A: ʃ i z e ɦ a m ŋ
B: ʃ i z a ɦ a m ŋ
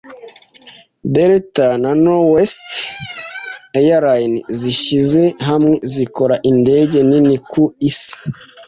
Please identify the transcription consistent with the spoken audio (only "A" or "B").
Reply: A